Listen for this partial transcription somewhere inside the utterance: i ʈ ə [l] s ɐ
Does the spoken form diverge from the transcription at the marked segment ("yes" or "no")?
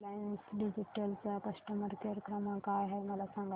no